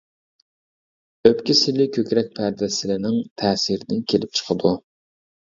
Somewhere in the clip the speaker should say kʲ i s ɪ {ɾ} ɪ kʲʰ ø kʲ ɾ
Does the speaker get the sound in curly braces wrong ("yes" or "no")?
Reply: yes